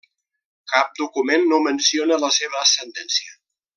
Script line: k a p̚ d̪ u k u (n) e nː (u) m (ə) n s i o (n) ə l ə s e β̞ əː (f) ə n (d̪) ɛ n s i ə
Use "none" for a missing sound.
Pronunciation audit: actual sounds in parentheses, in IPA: m, o, ə, n, s, d̪

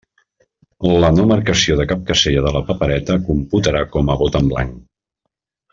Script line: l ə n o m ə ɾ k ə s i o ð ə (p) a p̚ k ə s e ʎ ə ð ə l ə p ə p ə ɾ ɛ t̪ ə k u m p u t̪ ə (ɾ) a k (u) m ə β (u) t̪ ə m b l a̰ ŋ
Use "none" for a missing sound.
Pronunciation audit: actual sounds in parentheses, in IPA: k, ɾ, ɔ, o

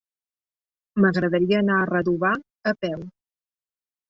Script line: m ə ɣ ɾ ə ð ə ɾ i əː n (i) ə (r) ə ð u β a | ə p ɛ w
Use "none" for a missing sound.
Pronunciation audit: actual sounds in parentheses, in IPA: a, r

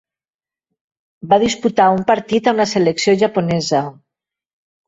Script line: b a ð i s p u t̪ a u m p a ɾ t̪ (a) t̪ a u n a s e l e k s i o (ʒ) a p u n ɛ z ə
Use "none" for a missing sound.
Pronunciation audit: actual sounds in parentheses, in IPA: i, ʒ

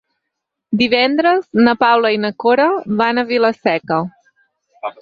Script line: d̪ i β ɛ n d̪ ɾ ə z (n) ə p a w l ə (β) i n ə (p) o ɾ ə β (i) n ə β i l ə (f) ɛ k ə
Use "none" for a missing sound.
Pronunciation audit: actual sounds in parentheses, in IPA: n, none, k, a, s

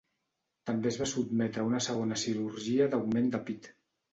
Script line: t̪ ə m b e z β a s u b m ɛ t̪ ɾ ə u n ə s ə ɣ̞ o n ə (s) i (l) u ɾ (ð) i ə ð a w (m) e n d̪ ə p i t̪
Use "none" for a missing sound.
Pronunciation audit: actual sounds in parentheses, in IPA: s, ɾ, ʒ, m

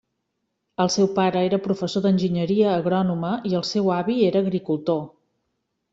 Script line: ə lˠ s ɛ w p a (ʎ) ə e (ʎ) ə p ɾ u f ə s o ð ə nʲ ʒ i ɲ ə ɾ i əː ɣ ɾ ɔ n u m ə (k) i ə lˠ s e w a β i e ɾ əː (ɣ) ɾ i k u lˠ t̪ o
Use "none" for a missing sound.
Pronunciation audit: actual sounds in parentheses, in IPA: ɾ, ɾ, none, ɣ

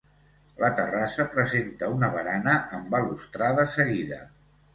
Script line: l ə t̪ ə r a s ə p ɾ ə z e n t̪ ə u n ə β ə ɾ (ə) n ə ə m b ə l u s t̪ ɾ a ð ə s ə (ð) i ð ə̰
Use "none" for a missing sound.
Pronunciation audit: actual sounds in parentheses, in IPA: a, ɣ

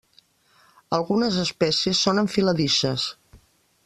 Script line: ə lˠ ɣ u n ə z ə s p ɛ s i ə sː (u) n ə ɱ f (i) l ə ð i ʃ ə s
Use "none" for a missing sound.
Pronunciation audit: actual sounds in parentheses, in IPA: o, i

